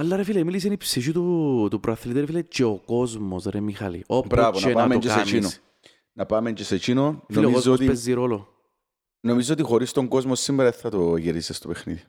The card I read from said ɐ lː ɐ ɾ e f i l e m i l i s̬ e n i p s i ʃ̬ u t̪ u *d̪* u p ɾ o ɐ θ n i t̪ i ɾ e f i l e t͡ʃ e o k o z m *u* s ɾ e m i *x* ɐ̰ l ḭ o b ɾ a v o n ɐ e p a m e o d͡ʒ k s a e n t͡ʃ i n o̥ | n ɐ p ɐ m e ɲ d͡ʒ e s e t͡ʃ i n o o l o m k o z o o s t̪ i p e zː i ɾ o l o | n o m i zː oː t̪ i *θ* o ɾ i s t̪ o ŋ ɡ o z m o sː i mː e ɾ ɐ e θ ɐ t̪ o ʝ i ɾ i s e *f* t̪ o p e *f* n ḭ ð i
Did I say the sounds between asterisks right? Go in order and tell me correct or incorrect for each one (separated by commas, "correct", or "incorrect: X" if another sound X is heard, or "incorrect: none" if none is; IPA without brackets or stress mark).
incorrect: t̪, incorrect: o, correct, incorrect: x, incorrect: s, incorrect: x